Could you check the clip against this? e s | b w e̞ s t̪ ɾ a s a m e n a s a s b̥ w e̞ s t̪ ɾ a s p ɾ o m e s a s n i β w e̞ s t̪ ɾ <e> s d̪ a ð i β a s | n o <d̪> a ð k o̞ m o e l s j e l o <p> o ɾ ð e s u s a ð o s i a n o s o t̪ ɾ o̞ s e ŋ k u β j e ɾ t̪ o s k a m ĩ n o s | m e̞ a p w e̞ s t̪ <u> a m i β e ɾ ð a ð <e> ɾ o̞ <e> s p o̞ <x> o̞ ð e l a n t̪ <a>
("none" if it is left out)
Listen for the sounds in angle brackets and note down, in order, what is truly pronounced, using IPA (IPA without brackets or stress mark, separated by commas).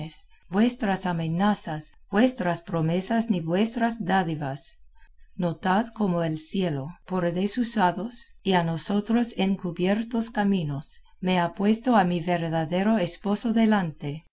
a, t̪, p, o, e, e, s, e